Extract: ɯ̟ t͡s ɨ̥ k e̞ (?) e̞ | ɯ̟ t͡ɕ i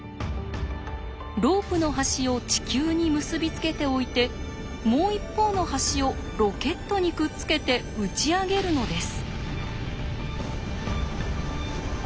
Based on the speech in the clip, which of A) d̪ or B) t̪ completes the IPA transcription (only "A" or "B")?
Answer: B